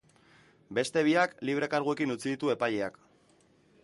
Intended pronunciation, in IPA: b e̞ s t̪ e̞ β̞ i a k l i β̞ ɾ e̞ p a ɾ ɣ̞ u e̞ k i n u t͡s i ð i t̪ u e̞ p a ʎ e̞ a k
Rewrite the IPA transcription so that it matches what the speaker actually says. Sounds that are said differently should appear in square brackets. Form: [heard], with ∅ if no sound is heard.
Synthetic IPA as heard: b e̞ s t̪ e̞ β̞ i a k l i β̞ ɾ e̞ [k] a ɾ ɣ̞ u e̞ k i n u t͡s i ð i t̪ u e̞ p a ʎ e̞ a k